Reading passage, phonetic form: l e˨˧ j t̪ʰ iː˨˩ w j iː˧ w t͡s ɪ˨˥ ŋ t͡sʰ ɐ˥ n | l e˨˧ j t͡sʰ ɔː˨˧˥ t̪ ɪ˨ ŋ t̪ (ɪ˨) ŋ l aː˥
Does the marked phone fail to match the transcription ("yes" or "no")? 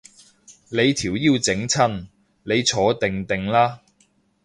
no